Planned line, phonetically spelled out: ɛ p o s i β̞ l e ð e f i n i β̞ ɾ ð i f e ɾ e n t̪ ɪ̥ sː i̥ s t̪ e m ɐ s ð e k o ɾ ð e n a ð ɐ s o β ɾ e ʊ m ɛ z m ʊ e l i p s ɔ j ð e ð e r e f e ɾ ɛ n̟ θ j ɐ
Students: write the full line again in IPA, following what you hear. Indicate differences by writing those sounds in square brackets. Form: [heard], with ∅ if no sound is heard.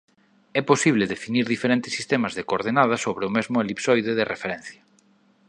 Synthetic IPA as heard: ɛ p o s i β̞ l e ð e f i n i [∅] ɾ ð i f e ɾ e n t̪ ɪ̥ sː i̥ s t̪ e m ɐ [z] ð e k o ɾ ð e n a ð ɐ s o β ɾ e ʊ m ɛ z m ʊ e l i p s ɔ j ð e ð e r e f e ɾ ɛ n̟ θ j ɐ